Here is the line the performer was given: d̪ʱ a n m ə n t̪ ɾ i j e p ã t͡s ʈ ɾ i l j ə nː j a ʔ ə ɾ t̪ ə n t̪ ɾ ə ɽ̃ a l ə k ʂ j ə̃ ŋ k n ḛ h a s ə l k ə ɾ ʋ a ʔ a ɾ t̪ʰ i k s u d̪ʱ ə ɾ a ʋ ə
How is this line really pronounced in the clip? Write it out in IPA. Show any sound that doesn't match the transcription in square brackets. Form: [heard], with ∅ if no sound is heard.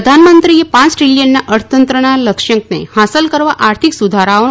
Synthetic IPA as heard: d̪ʱ a n m ə n t̪ ɾ i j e p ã t͡s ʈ ɾ i l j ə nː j a ʔ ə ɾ t̪ ə n t̪ ɾ ə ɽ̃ a l ə k ʂ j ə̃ ŋ k n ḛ h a s ə l k ə ɾ ʋ a ʔ a ɾ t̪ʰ i k s u d̪ʱ [a] ɾ a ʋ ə